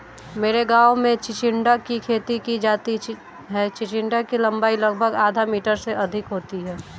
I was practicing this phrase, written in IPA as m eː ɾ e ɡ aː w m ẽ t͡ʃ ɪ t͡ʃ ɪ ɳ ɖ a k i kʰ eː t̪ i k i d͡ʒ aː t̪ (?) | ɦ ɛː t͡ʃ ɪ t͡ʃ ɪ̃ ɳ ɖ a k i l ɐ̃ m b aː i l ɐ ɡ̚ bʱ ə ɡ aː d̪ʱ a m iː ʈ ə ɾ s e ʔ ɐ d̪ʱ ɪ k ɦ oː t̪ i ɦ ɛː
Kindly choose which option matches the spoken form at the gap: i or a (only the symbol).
i